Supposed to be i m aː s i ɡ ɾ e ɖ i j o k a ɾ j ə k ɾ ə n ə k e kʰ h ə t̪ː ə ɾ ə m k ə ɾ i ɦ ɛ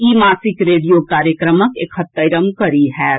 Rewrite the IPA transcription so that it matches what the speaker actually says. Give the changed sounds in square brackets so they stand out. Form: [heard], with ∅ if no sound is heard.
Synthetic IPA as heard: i m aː s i [k] ɾ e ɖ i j o k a ɾ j ə k ɾ ə [m] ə k e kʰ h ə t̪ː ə ɾ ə m k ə ɾ i ɦ ɛ